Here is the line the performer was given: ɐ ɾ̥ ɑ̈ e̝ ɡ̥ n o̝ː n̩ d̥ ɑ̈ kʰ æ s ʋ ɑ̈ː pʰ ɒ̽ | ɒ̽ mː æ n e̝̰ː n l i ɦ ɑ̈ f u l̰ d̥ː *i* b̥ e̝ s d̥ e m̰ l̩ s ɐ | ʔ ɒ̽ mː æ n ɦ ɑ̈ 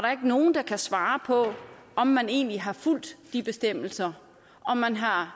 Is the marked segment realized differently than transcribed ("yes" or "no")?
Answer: no